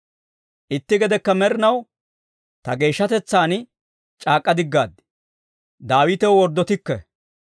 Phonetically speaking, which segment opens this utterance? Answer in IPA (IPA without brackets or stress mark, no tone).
ʔ